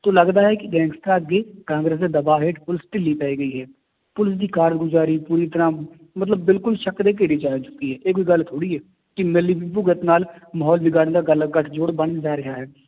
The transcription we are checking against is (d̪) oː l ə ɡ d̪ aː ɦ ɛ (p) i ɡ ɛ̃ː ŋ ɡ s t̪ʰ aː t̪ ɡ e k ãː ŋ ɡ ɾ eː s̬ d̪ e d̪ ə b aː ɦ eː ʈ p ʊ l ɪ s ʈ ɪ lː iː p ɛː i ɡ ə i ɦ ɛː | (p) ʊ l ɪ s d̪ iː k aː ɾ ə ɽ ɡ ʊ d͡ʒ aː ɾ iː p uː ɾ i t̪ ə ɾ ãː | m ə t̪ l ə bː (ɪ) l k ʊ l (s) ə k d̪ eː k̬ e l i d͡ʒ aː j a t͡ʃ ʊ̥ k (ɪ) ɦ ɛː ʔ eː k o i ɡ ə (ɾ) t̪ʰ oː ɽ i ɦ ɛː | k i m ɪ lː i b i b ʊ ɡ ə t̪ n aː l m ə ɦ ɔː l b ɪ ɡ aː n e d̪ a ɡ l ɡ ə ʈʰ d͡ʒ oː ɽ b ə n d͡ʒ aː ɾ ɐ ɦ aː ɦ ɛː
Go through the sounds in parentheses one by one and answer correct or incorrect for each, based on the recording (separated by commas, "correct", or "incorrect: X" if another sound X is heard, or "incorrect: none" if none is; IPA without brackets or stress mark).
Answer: incorrect: t̪, incorrect: k, correct, correct, incorrect: ʃ, incorrect: i, incorrect: l